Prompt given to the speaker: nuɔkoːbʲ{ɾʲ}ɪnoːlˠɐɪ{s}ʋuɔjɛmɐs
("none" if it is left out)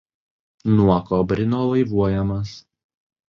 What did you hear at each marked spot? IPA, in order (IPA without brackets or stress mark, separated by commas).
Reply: ɾʲ, none